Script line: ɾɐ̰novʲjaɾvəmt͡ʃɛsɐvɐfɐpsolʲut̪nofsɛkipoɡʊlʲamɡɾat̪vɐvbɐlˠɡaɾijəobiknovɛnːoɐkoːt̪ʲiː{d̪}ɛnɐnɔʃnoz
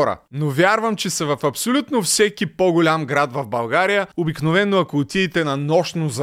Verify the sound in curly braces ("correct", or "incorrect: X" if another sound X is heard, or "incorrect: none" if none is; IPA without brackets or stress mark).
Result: incorrect: t̪